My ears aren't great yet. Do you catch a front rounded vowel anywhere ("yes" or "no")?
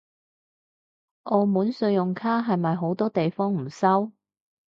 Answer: no